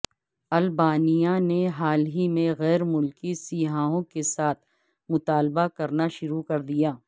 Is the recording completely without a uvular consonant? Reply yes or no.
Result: yes